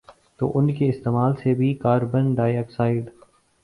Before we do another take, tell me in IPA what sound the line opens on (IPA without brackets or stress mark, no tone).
t̪